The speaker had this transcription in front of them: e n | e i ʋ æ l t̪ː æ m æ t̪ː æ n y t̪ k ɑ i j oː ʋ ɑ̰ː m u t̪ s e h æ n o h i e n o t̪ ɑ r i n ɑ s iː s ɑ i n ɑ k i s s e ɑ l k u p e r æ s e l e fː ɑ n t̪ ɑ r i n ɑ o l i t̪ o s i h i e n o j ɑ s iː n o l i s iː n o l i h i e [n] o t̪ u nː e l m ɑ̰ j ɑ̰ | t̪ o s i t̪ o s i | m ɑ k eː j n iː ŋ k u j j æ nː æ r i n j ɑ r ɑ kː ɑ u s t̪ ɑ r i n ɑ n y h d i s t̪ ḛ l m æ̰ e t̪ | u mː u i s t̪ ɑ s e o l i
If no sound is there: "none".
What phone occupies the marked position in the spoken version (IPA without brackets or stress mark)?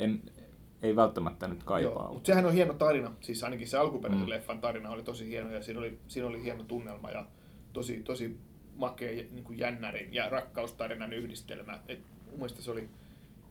n